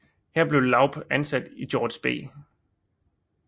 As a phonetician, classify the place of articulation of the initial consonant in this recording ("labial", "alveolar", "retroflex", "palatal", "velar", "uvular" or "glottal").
glottal